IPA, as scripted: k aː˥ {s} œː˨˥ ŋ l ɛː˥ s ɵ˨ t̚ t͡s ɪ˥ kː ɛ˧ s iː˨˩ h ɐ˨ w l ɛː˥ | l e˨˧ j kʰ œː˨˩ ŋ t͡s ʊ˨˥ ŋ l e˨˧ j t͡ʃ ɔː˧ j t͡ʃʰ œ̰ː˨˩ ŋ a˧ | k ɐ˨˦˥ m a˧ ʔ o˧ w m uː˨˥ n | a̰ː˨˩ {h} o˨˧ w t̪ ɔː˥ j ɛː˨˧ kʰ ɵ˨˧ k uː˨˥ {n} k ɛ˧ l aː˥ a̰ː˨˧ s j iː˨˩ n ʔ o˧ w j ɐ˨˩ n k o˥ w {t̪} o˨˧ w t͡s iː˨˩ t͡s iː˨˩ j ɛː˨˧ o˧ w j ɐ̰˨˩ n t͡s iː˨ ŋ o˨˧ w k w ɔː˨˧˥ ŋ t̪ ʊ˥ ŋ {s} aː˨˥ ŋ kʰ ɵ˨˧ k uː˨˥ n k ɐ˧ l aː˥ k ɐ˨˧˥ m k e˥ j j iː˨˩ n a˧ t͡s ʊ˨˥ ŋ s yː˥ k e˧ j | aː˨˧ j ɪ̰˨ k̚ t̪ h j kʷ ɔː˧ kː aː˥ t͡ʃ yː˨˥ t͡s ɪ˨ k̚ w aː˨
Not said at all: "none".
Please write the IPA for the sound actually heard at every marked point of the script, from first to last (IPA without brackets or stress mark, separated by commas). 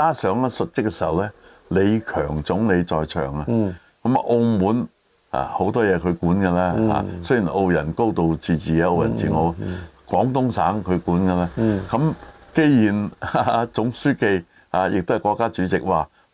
s, h, n, t̪, s